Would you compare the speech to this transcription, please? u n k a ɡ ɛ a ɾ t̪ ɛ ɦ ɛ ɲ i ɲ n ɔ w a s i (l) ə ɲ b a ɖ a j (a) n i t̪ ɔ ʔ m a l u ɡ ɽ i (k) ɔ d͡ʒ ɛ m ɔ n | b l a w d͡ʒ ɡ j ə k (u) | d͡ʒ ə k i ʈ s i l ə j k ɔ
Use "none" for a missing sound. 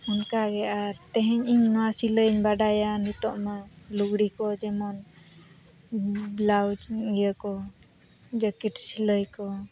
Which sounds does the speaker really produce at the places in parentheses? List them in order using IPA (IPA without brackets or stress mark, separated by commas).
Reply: l, a, k, ɔ